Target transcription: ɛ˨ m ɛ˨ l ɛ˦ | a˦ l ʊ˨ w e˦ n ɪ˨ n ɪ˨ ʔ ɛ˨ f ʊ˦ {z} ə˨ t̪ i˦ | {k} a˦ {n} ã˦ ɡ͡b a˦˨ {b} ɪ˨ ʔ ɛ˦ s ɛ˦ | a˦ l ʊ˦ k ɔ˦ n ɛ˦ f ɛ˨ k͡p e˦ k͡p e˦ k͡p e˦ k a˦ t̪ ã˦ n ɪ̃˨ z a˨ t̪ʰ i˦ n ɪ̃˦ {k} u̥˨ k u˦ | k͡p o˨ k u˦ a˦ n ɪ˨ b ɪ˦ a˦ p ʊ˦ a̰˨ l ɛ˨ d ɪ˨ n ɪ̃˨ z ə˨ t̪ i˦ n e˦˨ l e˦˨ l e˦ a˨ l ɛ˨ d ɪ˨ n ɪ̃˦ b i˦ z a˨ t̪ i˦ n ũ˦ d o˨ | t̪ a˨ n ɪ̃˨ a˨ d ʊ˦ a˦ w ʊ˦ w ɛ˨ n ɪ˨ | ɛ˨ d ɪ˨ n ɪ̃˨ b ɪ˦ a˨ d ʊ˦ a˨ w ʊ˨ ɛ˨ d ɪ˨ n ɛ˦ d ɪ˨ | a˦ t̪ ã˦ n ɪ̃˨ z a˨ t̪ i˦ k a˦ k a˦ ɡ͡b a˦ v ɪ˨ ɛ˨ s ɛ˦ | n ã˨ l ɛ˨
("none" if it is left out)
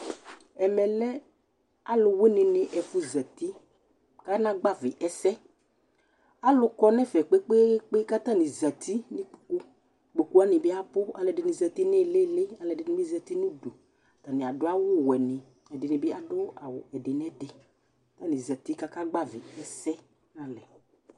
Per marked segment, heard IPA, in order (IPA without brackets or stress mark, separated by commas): z, k, n, v, k͡p